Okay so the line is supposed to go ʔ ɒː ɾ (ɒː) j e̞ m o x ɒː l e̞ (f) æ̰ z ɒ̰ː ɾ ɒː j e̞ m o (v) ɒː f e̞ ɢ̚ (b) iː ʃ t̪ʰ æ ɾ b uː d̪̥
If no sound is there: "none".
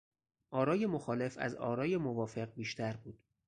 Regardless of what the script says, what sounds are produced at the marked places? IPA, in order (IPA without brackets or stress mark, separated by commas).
ɒː, f, v, b